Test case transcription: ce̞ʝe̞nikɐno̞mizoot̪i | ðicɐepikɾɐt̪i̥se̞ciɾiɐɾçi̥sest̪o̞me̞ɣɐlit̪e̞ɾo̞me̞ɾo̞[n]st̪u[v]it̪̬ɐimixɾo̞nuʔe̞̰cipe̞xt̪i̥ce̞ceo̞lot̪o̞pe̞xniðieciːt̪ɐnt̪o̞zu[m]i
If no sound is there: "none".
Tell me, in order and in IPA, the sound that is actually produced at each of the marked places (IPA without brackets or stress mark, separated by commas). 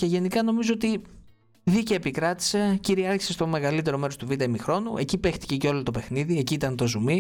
none, v, m